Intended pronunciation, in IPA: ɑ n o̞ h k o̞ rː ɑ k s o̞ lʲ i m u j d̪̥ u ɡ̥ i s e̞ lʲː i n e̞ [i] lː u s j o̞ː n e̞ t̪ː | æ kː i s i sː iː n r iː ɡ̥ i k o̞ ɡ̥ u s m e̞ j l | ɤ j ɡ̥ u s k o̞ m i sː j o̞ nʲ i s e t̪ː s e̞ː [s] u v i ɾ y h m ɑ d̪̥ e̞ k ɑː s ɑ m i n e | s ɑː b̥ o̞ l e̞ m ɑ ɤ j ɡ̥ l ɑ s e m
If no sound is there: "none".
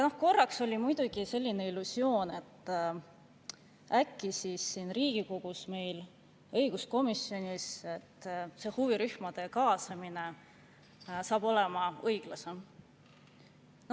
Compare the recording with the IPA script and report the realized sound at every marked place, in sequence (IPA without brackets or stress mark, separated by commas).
i, h